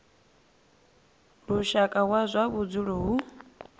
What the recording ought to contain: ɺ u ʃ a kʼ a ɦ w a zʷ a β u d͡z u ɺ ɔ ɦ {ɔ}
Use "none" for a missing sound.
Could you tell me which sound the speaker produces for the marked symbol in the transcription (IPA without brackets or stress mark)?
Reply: u